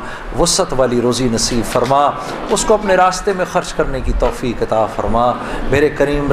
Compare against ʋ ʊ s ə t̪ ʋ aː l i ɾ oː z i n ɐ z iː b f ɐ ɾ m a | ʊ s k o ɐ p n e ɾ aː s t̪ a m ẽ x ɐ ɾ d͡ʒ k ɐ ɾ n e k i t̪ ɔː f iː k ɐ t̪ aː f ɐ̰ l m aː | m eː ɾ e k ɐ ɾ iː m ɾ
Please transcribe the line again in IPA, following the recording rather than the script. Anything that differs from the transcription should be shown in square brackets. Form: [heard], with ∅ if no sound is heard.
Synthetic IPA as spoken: ʋ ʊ s ə t̪ ʋ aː l i ɾ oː z i n ɐ [s] iː b f ɐ ɾ m a | ʊ s k o ɐ p n e ɾ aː s t̪ [e] m ẽ x ɐ ɾ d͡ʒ k ɐ ɾ n e k i t̪ ɔː f iː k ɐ t̪ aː f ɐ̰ [ɾ] m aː | m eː ɾ e k ɐ ɾ iː m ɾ